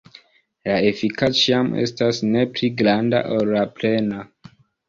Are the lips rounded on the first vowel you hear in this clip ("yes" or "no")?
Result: no